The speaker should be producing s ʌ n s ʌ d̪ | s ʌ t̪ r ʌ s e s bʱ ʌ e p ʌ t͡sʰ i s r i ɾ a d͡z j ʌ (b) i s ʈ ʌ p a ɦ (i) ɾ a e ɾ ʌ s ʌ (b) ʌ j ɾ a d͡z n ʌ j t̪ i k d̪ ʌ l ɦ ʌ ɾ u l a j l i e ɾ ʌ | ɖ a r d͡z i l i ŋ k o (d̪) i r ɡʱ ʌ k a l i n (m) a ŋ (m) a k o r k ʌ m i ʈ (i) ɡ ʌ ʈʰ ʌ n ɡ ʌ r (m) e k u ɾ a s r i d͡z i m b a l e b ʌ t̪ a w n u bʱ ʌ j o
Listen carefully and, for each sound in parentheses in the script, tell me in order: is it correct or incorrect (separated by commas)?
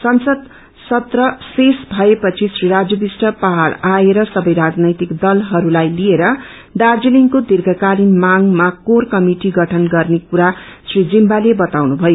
correct, incorrect, correct, correct, correct, correct, correct, incorrect